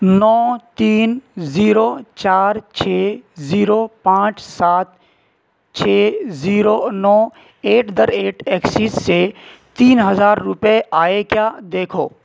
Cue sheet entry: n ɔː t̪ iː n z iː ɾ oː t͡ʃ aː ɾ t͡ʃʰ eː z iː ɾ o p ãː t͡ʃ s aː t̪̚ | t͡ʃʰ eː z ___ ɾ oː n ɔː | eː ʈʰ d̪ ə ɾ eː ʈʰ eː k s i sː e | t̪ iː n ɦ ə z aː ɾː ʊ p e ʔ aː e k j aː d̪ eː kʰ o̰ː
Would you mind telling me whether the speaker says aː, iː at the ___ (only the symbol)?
iː